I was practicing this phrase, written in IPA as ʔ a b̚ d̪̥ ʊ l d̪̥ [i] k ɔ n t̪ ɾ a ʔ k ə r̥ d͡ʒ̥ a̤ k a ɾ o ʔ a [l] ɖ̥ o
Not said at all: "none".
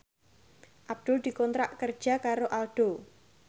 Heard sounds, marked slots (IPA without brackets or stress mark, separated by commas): i, l